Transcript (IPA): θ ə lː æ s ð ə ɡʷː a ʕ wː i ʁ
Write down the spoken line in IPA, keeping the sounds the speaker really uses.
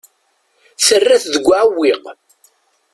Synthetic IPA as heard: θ ə rː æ θ ð ə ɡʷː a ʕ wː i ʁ